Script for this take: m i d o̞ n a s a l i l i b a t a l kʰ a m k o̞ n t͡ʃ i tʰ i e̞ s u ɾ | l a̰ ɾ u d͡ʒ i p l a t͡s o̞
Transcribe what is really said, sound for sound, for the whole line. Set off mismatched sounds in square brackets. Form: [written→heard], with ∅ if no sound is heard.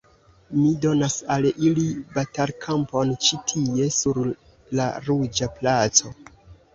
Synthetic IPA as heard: m i d o̞ n a s a l i l i b a t a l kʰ a m [k→p] o̞ n t͡ʃ i tʰ i e̞ s u ɾ | l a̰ ɾ u d͡ʒ [i→a] p l a t͡s o̞